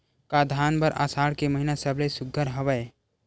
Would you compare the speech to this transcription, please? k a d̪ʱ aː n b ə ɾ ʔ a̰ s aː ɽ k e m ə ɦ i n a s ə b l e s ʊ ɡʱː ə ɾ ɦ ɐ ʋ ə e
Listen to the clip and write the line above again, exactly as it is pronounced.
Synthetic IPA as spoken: k a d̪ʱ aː n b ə ɾ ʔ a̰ s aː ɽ k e m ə ɦ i n a s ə b l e s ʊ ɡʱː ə ɾ ɦ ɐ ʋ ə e